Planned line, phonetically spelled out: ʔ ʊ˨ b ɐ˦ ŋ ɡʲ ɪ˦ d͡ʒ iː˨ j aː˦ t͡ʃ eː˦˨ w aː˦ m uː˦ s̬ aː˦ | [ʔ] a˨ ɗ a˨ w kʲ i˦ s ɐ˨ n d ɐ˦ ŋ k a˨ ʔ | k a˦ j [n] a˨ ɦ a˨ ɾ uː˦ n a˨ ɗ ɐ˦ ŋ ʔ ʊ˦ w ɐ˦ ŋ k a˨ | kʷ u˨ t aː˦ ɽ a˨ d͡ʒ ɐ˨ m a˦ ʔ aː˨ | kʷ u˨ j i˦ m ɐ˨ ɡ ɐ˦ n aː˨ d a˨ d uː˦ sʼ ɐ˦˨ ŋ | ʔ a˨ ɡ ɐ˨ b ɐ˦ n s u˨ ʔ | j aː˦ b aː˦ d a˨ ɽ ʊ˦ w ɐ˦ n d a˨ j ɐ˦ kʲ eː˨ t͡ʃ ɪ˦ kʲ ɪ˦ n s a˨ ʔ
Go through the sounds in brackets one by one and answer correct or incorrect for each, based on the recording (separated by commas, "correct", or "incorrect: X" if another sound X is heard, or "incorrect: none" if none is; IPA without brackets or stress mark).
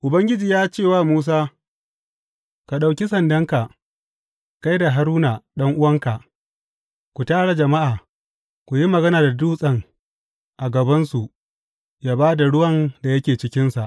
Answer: incorrect: k, incorrect: d